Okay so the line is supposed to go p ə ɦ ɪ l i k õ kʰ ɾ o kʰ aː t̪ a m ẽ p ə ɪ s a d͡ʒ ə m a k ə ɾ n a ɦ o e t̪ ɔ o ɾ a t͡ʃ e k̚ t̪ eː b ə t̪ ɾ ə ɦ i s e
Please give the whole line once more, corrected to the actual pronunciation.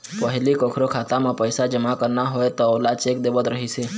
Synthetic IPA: p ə ɦ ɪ l i k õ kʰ ɾ o kʰ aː t̪ a m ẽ p ə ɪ s a d͡ʒ ə m a k ə ɾ n a ɦ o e t̪ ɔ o l a t͡ʃ e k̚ d̪ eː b ə t̪ ɾ ə ɦ i s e